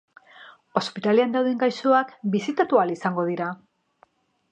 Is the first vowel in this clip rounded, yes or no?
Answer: yes